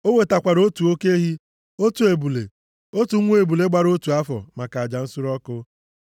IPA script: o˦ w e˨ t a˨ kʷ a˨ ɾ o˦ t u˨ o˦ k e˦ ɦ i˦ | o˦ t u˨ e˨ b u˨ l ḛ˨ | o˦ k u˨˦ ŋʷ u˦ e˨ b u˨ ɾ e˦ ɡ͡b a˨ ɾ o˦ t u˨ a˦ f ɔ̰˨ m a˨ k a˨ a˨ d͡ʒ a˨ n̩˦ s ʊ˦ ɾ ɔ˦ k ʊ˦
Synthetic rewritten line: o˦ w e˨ t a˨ kʷ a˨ ɾ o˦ t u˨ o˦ k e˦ ɦ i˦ | o˦ t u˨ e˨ b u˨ l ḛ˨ | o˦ t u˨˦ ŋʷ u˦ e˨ b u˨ l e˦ ɡ͡b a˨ ɾ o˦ t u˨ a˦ f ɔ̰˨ m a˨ k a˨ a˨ d͡ʒ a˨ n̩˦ s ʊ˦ ɾ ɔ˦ k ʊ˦